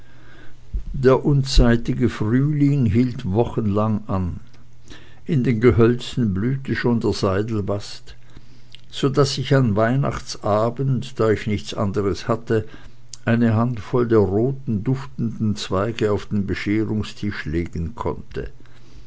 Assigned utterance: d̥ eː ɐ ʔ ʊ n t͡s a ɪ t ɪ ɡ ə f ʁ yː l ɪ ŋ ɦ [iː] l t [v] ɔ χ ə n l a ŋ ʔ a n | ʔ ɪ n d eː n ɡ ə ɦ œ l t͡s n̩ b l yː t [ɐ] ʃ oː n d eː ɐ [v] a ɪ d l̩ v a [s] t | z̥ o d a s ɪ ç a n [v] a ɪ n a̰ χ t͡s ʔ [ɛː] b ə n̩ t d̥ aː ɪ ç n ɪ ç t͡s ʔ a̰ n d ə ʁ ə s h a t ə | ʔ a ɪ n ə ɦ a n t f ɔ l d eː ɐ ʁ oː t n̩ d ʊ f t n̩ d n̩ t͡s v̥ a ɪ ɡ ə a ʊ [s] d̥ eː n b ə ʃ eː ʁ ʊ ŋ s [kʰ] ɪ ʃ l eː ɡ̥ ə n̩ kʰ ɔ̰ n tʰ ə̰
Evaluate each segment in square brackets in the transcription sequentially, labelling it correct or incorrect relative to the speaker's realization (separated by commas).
correct, correct, incorrect, incorrect, correct, correct, incorrect, incorrect, incorrect